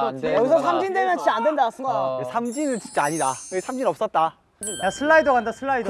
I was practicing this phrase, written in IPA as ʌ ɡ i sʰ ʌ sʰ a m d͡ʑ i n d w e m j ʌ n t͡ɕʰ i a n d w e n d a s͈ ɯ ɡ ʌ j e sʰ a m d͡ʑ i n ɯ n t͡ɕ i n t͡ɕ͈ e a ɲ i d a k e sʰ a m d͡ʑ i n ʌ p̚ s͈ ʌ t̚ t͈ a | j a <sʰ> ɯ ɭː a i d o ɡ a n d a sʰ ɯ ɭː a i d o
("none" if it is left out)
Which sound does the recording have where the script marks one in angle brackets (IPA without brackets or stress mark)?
sʰ